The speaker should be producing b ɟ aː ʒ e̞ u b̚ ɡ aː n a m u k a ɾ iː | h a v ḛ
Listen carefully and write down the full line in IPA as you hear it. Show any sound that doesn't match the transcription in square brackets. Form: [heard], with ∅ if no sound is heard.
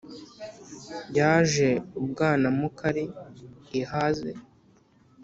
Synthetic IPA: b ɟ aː ʒ e̞ u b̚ ɡ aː n a m u k a ɾ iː | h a [z] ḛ